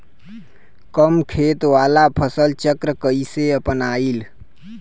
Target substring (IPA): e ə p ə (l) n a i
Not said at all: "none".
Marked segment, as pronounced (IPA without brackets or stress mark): none